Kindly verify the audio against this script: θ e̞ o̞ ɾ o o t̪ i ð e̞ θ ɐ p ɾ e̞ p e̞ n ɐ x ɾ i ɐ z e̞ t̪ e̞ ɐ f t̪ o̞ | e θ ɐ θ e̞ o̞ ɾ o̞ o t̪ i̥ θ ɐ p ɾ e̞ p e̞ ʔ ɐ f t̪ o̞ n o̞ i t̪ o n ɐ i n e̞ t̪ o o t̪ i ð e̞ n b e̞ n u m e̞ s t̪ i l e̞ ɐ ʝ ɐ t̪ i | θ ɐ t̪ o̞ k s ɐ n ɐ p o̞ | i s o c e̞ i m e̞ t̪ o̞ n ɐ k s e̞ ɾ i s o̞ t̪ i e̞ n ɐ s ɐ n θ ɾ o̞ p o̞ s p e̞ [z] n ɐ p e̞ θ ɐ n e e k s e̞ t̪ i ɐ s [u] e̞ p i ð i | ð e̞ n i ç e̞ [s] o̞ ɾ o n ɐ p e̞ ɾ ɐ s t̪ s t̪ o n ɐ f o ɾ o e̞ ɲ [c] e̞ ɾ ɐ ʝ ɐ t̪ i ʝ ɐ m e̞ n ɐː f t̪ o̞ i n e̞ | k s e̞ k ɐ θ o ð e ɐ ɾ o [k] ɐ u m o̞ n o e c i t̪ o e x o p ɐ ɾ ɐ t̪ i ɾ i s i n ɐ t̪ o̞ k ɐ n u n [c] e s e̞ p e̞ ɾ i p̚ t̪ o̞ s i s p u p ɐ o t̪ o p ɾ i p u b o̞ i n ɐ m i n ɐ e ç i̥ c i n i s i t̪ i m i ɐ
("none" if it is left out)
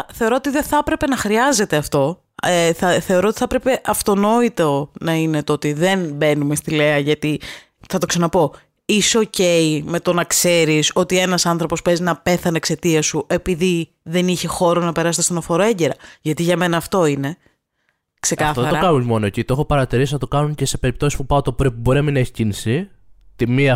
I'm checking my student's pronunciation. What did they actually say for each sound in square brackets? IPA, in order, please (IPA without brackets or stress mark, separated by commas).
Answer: z, u, x, ɟ, k, c